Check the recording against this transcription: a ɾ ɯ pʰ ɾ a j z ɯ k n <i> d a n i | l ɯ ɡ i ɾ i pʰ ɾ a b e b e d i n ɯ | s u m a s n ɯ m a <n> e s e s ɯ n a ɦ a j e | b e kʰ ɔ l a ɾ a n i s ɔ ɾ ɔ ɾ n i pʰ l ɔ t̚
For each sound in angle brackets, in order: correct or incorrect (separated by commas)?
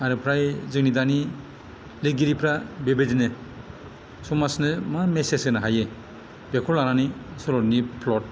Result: correct, incorrect